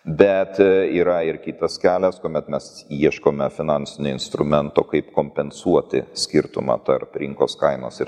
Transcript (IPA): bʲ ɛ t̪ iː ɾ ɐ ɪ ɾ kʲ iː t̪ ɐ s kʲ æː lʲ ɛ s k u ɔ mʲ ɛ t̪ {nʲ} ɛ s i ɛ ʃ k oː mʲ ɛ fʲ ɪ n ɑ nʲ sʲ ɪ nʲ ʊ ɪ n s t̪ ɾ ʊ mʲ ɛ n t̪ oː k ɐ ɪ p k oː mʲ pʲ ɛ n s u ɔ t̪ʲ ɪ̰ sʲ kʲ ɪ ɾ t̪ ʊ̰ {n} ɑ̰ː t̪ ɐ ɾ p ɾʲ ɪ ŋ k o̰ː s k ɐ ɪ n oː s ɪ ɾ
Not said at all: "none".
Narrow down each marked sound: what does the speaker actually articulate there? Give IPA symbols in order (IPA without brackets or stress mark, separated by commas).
mʲ, m